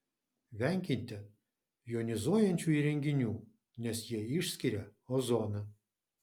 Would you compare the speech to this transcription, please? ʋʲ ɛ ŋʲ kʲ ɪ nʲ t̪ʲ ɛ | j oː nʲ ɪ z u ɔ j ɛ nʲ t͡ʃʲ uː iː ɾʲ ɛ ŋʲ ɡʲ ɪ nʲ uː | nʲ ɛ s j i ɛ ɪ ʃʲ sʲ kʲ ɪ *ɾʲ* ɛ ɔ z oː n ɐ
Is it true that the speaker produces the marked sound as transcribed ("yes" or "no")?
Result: yes